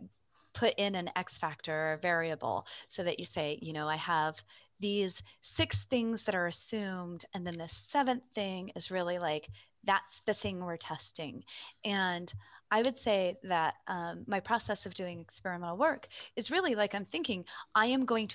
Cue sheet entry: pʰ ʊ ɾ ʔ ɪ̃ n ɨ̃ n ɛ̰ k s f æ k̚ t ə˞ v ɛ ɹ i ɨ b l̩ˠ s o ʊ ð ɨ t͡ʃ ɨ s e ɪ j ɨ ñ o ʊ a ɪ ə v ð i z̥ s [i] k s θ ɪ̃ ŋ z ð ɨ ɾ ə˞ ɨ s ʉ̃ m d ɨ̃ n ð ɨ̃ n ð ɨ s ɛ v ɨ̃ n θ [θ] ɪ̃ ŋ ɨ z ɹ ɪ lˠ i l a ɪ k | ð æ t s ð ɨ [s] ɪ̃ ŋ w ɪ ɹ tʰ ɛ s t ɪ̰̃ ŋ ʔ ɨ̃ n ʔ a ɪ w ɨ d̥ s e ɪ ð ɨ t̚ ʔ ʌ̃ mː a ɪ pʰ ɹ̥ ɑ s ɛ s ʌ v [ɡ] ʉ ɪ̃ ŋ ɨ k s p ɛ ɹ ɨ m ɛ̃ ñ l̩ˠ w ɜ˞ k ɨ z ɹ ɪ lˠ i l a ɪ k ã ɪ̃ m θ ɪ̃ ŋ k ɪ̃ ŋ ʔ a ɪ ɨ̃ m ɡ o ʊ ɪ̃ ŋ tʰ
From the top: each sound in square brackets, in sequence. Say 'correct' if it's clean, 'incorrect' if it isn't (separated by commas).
incorrect, correct, incorrect, incorrect